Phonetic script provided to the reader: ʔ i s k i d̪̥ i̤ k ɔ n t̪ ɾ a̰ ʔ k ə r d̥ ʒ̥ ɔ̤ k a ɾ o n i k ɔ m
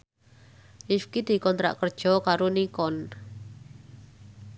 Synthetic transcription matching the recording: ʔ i f k i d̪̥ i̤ k ɔ n t̪ ɾ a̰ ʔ k ə r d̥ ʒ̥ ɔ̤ k a ɾ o n i k ɔ n